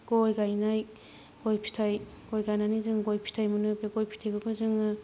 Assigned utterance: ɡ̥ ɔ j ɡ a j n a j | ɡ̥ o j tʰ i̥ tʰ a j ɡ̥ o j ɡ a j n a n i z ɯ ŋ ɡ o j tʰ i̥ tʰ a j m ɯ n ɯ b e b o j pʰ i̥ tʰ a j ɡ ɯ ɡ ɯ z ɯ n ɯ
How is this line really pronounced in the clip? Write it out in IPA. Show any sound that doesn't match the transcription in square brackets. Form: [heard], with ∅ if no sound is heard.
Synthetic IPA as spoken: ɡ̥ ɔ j ɡ a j n a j | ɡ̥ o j [pʰ] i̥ tʰ a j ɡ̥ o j ɡ a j n a n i z ɯ ŋ ɡ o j [pʰ] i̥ tʰ a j m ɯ n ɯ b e [ɡ] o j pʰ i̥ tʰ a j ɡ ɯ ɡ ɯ z ɯ [ŋ] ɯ